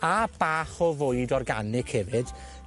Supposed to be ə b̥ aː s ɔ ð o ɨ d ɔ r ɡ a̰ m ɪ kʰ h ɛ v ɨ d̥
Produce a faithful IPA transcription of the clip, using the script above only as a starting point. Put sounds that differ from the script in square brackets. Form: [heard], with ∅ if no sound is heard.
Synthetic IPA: [a] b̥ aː [χ] ɔ [v] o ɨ d ɔ r ɡ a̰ [n] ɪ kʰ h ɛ v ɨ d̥